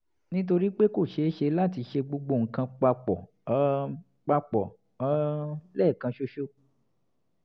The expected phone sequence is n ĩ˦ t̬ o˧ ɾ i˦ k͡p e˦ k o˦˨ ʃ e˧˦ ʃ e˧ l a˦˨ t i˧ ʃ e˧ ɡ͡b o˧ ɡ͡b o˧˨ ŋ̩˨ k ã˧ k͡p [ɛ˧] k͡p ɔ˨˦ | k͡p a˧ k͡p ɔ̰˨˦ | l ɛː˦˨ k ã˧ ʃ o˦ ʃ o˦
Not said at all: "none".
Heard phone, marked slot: a˧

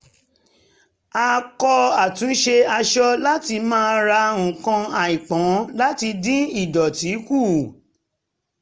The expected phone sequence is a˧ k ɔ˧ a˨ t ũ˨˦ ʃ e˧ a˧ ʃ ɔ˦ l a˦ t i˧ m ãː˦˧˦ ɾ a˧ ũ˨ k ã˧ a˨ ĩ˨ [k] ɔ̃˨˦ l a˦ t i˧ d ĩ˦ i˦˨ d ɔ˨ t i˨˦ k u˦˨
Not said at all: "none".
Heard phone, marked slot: k͡p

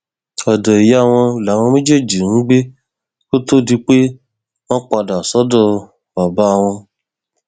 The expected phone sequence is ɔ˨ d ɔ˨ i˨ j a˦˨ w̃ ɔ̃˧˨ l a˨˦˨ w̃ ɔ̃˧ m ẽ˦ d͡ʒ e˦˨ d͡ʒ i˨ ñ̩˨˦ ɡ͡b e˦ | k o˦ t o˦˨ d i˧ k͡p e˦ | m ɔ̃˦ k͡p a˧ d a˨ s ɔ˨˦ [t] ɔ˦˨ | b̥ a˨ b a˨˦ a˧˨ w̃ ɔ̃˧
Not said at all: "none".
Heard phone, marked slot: d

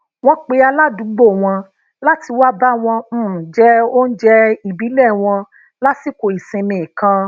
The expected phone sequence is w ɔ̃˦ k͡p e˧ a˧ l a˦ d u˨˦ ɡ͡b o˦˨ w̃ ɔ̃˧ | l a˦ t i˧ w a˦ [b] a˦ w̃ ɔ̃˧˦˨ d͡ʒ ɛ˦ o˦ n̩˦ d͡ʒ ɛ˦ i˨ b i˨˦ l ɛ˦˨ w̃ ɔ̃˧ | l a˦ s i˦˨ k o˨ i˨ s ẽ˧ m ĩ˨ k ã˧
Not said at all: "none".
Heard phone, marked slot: b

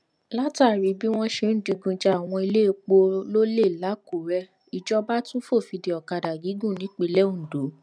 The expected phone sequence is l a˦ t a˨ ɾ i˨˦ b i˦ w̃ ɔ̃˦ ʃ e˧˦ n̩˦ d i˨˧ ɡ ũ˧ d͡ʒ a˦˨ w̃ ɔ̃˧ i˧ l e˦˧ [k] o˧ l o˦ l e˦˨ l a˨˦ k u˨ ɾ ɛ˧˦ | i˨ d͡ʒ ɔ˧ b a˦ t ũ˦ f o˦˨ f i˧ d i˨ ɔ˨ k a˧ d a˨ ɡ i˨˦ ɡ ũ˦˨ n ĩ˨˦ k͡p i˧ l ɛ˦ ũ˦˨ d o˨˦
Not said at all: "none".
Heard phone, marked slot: k͡p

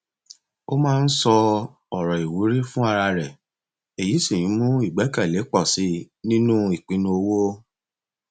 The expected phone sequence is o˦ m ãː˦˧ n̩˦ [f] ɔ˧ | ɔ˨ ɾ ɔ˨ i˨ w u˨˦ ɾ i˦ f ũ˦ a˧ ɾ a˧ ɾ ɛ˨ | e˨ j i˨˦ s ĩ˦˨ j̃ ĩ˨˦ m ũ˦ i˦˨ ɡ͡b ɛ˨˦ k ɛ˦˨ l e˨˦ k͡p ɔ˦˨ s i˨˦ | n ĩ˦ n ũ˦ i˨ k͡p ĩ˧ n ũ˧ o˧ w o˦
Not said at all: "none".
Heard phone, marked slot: s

